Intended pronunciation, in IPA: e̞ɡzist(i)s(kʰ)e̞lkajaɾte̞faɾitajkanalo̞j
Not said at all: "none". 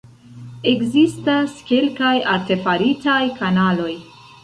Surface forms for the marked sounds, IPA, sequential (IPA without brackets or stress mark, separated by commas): a, k